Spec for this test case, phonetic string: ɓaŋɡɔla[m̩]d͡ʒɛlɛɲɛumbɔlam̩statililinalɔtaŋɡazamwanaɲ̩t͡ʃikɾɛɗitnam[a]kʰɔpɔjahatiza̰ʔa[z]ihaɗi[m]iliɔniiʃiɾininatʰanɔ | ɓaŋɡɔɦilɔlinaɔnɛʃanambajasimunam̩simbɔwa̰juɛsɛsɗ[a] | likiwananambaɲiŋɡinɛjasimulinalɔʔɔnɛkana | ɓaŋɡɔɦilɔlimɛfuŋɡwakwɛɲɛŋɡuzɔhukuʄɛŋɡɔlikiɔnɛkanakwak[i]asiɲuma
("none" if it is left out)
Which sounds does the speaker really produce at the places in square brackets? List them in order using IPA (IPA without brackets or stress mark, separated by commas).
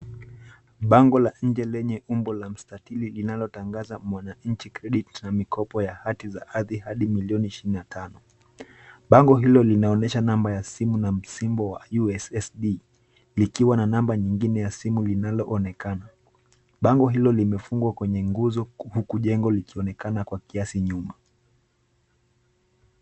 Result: ɲ̩, i, ð, m, i, i